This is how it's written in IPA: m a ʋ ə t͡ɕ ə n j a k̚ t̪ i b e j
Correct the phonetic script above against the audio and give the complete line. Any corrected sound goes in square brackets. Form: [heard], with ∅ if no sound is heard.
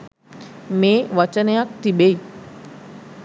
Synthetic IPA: m [e] ʋ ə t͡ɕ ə n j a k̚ t̪ i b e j